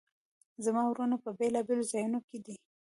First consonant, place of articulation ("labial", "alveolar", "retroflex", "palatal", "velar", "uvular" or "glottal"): alveolar